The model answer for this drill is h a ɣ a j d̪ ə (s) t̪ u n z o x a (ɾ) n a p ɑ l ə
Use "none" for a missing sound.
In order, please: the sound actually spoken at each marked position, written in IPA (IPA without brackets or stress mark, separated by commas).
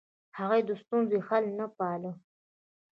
s, l